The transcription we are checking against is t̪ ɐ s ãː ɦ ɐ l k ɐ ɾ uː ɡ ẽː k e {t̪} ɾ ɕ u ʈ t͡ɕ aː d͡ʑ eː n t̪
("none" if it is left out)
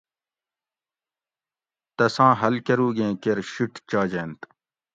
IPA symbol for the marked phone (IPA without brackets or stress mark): none